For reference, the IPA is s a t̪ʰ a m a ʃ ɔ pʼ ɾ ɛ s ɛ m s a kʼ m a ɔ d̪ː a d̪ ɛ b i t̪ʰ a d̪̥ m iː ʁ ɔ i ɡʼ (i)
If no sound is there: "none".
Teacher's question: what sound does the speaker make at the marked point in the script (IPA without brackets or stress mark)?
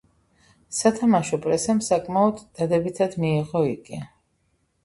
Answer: i